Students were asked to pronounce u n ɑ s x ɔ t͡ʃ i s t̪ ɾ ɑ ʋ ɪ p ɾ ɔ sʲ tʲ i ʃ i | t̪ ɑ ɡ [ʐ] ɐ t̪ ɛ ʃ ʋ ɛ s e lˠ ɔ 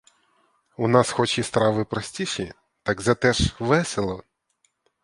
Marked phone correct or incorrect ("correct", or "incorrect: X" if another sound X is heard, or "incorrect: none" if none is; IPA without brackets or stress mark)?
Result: incorrect: z